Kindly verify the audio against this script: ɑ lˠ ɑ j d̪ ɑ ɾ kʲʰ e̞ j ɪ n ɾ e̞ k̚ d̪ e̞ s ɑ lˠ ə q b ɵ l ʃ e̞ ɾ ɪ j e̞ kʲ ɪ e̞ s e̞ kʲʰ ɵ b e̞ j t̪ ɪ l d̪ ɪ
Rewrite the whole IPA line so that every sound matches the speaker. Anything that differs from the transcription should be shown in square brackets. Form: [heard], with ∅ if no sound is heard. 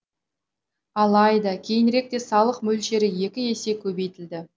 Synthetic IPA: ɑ lˠ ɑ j d̪ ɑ [∅] kʲʰ e̞ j ɪ n ɾ e̞ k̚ [t̪] e̞ s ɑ lˠ ə q [m] ɵ l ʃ e̞ ɾ ɪ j e̞ kʲ ɪ e̞ s e̞ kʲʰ ɵ b e̞ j t̪ ɪ l d̪ ɪ